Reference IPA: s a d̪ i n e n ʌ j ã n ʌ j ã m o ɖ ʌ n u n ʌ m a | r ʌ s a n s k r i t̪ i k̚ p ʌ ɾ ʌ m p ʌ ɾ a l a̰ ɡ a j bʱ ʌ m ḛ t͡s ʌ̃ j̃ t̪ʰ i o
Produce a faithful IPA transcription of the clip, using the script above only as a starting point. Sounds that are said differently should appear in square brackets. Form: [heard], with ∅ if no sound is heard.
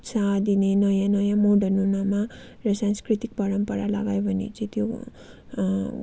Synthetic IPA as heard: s a d̪ i n e n ʌ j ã n ʌ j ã m o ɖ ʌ n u n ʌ m a | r ʌ s a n s k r i t̪ i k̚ p ʌ ɾ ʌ m p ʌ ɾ a l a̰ ɡ a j bʱ ʌ [n] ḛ t͡s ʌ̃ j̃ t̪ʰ [j] o

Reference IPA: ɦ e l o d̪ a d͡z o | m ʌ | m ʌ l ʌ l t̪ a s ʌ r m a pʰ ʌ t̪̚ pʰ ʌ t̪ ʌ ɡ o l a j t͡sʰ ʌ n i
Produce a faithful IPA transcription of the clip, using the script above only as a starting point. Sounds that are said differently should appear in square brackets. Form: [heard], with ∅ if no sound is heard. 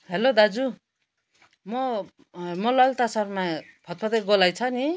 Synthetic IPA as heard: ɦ e l o d̪ a d͡z [u] | m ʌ | m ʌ l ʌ l t̪ a s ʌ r m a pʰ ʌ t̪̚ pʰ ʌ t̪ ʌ ɡ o l a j t͡sʰ ʌ n i

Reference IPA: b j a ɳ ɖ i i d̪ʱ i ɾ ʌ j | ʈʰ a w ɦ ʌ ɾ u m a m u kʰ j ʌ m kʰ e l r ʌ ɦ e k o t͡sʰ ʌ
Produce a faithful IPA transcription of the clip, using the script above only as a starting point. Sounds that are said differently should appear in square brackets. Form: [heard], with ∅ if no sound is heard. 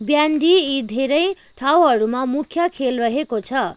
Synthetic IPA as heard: b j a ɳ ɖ i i d̪ʱ [e] ɾ ʌ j | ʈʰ a w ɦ ʌ ɾ u m a m u kʰ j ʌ [∅] kʰ e l r ʌ ɦ e k o t͡sʰ ʌ

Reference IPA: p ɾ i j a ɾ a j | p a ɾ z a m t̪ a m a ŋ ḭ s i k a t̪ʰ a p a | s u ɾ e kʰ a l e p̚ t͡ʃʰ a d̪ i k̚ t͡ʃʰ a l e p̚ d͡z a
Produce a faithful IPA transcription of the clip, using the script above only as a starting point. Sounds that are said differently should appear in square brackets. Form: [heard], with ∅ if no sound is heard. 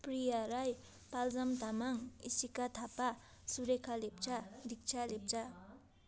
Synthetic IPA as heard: p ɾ i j a ɾ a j | p a [l] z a m t̪ a m a ŋ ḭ s i k a t̪ʰ a p a | s u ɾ e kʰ a l e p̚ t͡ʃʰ a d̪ i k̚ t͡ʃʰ a l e p̚ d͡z a

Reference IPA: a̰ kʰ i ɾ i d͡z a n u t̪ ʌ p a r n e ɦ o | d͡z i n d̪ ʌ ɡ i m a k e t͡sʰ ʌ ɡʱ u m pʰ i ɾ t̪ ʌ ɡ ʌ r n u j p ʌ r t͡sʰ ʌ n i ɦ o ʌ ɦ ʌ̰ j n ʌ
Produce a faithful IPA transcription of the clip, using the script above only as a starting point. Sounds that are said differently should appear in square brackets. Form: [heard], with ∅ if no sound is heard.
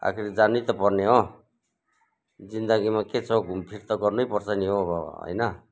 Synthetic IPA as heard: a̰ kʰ i ɾ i d͡z a n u t̪ ʌ p [ʌ] r n e ɦ o | d͡z i n d̪ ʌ ɡ i m a k e t͡sʰ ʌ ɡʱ u m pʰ i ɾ t̪ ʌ ɡ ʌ r n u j p ʌ r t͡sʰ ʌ n i ɦ o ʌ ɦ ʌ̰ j n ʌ

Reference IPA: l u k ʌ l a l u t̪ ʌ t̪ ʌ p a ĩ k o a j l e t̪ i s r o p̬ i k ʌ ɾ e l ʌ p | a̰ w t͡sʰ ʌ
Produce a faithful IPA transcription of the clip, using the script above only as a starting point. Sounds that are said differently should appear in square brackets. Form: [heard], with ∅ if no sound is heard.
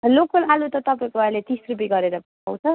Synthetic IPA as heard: l [o] k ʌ l a l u t̪ ʌ t̪ ʌ p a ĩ k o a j l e t̪ i s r [u] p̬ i [ɡ] ʌ ɾ e [ɾ] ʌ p | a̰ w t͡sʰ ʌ

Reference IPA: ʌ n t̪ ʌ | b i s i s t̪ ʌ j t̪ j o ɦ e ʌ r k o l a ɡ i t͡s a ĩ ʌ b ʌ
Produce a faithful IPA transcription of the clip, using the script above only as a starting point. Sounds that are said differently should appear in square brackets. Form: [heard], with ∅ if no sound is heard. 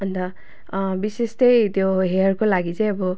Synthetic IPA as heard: ʌ n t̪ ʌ | b i s [e] s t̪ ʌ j t̪ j o ɦ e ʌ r k o l a ɡ i t͡s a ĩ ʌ b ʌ

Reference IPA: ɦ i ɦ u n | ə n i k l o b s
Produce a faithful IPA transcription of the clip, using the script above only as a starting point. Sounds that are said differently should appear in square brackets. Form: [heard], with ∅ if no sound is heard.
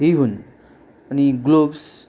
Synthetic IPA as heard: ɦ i ɦ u n | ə n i [ɡ] l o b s

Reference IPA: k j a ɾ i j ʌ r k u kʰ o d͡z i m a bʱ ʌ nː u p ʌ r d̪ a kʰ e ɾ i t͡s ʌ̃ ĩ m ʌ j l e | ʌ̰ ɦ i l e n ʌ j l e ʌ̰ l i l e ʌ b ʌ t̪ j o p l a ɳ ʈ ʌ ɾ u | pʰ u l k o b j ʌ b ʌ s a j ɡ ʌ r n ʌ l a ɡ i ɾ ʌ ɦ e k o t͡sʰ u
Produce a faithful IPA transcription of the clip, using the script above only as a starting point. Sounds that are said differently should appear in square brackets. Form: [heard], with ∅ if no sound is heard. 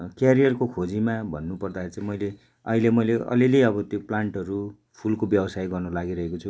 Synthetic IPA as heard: k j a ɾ i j ʌ r k [o] kʰ o d͡z i m a bʱ ʌ nː u p ʌ r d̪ a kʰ e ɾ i t͡s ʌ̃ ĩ m ʌ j l e | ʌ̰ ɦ i l e [m] ʌ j l e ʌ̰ l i l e ʌ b ʌ t̪ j o p l a ɳ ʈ ʌ ɾ u | pʰ u l k o b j ʌ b ʌ s a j ɡ ʌ r n ʌ l a ɡ i ɾ ʌ ɦ e k o t͡sʰ u

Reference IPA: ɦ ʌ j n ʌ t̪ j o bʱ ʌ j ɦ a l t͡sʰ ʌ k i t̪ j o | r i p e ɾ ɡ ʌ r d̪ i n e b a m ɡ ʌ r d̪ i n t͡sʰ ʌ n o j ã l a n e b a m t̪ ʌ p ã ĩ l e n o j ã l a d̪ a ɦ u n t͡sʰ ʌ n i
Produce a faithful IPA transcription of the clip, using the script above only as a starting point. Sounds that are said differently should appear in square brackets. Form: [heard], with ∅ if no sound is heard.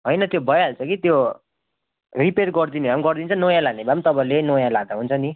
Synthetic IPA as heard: ɦ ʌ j n ʌ t̪ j o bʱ ʌ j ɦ a l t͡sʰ ʌ k i t̪ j o | r i p e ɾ ɡ ʌ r d̪ i n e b a m ɡ ʌ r d̪ i n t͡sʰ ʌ n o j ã l a n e b a m t̪ ʌ p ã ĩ l e n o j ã l a d̪ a ɦ u n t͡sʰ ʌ n i

